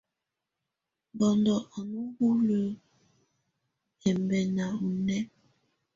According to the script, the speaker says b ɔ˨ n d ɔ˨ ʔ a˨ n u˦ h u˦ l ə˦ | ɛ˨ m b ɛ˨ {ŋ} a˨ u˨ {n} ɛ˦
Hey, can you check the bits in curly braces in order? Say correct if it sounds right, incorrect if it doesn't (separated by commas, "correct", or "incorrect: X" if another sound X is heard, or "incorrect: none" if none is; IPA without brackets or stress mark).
incorrect: n, correct